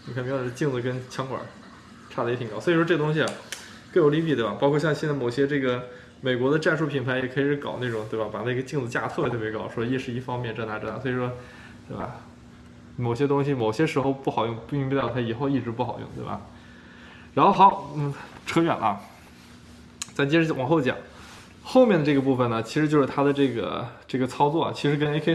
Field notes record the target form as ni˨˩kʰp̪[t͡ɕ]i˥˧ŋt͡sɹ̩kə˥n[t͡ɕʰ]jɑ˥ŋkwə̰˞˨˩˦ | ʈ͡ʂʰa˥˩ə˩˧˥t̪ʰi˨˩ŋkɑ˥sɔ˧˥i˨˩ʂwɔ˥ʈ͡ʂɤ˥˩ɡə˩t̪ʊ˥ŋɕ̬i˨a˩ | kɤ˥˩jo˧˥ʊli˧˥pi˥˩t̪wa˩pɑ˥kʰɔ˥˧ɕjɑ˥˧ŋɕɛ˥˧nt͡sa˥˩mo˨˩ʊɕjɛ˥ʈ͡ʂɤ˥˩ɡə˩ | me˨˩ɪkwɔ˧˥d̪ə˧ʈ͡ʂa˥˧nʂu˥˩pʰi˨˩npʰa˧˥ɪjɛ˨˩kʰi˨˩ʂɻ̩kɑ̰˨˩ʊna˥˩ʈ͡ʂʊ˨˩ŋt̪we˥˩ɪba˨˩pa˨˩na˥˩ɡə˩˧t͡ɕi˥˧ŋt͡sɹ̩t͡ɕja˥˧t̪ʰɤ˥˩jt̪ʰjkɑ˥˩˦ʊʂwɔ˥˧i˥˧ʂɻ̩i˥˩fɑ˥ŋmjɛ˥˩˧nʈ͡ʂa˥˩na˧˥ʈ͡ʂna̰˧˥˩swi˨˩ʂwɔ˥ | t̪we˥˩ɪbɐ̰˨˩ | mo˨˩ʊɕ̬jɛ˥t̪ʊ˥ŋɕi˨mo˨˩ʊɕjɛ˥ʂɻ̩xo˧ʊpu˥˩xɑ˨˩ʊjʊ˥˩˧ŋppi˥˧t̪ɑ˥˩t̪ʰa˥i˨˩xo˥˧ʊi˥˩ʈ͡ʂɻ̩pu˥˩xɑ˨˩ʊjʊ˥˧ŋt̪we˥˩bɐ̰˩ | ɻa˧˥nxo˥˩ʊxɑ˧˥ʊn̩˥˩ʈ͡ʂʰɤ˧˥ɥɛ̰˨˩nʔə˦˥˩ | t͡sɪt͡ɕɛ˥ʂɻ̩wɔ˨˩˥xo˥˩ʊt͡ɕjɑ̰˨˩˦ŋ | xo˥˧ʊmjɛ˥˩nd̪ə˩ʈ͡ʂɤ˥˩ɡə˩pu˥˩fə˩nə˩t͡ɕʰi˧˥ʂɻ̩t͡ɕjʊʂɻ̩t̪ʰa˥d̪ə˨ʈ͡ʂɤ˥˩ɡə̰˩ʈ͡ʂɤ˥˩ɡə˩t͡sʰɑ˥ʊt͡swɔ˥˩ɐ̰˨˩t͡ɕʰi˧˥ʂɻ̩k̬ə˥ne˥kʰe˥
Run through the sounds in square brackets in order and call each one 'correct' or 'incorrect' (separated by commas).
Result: correct, correct